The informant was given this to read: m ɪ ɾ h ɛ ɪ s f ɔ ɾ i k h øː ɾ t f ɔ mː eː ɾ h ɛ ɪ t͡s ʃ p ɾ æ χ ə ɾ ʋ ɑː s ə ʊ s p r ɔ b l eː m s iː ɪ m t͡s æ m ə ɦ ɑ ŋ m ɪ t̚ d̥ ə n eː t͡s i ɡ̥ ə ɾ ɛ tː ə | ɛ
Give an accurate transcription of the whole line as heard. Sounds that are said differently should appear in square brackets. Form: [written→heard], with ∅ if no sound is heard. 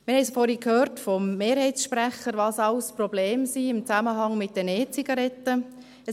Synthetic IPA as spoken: m ɪ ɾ h ɛ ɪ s f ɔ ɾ i k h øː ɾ t f ɔ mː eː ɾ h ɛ ɪ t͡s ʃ p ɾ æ χ ə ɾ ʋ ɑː s [ə→ɑ] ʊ s p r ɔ b l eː m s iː ɪ m t͡s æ m ə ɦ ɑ ŋ m ɪ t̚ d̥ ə n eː t͡s i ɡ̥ [ə→ɑ] ɾ ɛ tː ə | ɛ